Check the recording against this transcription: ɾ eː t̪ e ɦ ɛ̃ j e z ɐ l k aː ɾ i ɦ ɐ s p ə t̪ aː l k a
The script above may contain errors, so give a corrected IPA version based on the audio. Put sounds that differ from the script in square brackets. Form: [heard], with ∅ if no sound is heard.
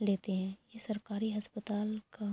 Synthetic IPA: [l] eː t̪ e ɦ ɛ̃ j e [s] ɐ [ɾ] k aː ɾ i ɦ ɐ s p ə t̪ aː l k a